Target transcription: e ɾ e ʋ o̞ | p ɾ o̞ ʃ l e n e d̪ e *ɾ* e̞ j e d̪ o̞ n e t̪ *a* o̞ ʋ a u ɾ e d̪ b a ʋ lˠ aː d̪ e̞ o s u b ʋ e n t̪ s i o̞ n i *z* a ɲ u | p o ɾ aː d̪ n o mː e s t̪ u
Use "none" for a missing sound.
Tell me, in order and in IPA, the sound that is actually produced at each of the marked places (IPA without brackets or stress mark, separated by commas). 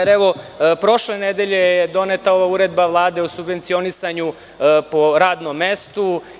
ʎ, a, s